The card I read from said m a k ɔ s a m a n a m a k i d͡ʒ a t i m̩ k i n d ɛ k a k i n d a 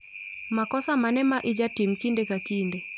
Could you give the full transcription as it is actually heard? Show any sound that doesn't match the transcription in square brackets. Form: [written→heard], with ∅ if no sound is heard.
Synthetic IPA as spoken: m a k ɔ s a m a n [a→ɛ] m a [k→ʔ] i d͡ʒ a t i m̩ k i n d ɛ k a k i n d [a→ɛ]